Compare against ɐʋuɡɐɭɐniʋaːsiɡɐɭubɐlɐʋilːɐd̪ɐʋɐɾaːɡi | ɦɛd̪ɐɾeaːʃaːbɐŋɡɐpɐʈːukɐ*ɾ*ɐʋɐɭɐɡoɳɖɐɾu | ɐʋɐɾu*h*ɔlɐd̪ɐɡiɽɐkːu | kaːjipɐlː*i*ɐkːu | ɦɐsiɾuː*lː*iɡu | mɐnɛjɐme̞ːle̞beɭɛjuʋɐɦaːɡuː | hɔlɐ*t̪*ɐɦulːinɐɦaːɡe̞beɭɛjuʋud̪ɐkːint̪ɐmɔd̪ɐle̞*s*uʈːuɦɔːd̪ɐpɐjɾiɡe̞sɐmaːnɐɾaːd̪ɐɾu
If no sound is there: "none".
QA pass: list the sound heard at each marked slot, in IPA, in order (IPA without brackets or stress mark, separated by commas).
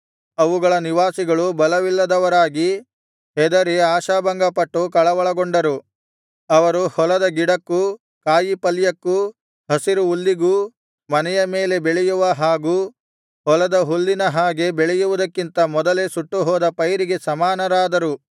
ɭ, h, j, lː, d̪, s